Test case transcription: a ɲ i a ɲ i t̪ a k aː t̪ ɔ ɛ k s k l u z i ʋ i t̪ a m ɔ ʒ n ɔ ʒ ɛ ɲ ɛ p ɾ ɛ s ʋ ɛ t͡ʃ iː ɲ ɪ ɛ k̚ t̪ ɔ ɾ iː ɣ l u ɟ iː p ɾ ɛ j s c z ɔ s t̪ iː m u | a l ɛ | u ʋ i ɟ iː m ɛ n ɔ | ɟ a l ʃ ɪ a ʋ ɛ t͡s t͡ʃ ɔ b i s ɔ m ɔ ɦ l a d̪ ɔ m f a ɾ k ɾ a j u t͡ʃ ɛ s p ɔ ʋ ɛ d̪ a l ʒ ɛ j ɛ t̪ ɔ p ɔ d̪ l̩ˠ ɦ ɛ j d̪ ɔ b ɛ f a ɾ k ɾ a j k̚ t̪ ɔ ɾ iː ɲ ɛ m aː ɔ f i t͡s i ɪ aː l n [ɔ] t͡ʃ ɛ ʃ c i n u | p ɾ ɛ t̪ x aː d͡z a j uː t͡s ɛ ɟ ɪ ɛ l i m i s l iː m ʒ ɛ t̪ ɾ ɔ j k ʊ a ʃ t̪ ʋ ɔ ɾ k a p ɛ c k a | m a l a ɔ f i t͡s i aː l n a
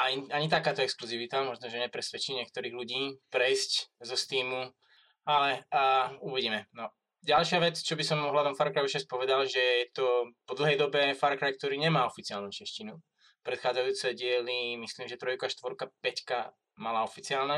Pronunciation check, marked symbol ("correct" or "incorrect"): incorrect